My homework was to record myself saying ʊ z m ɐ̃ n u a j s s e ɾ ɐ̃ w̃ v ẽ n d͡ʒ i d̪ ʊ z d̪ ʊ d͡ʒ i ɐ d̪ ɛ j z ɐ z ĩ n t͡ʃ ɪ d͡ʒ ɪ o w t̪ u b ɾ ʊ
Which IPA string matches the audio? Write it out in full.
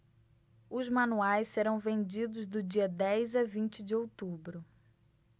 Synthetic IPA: ʊ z m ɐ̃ n u a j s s e ɾ ɐ̃ w̃ v ẽ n d͡ʒ i d̪ ʊ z d̪ ʊ d͡ʒ i ɐ d̪ ɛ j z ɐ v ĩ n t͡ʃ ɪ d͡ʒ ɪ o w t̪ u b ɾ ʊ